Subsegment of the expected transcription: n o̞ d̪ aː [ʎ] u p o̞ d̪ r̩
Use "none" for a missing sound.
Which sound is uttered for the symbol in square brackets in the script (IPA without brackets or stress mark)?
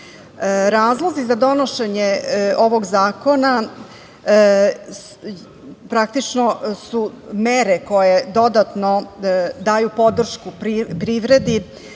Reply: j